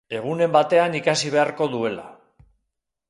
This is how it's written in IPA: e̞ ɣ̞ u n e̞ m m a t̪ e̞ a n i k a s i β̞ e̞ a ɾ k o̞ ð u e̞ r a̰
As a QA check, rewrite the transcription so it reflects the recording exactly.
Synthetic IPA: e̞ ɣ̞ u n e̞ m b a t̪ e̞ a n i k a s i β̞ e̞ a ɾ k o̞ ð u e̞ l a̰